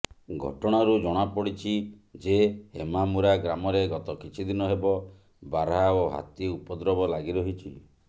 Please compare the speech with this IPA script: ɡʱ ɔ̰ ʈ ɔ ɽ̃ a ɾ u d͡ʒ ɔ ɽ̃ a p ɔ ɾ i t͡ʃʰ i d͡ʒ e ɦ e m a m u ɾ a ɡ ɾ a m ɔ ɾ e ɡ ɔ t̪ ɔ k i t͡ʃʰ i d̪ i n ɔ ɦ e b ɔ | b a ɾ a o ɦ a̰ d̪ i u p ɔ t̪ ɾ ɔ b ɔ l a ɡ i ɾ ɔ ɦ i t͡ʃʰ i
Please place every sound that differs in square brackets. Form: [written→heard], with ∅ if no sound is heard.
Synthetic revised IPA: ɡʱ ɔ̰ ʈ ɔ ɽ̃ a ɾ u d͡ʒ ɔ ɽ̃ a p ɔ [ɾ→ɽ] i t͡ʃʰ i d͡ʒ e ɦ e m a m u ɾ a ɡ ɾ a m ɔ ɾ e ɡ ɔ t̪ ɔ k i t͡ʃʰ i d̪ i n ɔ ɦ e b ɔ | b a ɾ a o ɦ a̰ [d̪→t̪] i u p ɔ [t̪→d̪] ɾ ɔ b ɔ l a ɡ i ɾ ɔ ɦ i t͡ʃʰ i